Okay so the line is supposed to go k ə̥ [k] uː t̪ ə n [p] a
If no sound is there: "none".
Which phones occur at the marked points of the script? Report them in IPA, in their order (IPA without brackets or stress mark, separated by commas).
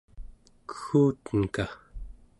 x, k